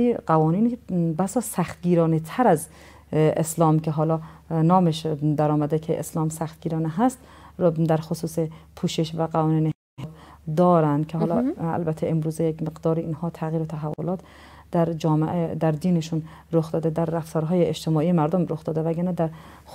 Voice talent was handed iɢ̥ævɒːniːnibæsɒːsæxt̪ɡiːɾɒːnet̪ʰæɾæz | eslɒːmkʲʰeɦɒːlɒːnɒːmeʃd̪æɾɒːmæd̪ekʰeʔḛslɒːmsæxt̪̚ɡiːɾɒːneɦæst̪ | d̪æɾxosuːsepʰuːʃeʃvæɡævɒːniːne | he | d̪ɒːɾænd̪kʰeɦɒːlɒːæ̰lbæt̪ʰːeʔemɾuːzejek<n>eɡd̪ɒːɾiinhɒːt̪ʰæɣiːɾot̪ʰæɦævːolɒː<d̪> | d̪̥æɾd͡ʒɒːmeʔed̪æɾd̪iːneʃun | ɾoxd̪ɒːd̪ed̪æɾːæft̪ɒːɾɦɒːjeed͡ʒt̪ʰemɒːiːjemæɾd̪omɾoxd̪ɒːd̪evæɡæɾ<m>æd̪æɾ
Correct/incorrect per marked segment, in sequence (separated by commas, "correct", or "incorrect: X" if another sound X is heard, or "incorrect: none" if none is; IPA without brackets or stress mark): incorrect: m, incorrect: t̪, incorrect: n